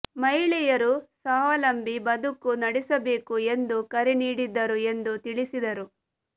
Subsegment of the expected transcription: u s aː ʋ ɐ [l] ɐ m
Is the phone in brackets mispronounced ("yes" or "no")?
no